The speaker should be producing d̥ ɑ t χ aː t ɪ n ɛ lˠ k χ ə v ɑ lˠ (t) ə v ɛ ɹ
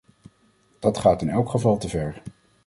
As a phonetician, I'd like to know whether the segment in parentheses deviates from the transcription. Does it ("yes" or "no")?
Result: no